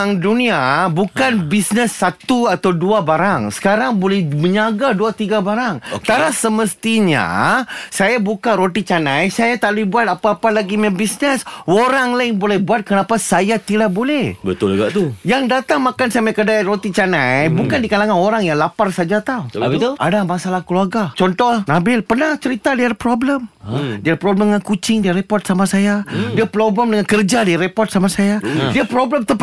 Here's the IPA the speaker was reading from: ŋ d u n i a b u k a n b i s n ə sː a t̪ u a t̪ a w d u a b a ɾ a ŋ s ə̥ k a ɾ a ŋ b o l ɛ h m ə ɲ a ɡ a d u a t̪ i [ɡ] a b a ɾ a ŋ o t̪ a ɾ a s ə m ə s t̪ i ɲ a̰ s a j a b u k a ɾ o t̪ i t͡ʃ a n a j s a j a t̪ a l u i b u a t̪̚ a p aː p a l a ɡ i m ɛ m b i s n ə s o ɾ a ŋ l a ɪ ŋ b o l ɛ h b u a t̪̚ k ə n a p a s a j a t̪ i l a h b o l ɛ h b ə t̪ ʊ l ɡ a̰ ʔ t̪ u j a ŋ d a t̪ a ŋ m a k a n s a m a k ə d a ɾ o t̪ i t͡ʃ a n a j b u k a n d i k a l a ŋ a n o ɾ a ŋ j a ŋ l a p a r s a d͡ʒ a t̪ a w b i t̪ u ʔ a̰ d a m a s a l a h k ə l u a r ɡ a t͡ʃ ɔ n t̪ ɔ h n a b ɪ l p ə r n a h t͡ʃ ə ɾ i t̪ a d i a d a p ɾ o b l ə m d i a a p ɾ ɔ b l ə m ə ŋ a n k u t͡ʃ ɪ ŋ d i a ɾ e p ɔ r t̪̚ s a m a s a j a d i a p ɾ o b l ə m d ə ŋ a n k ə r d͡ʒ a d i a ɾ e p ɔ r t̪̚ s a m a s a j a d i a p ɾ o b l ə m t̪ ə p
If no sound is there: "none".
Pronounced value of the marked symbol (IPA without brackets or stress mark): ɡ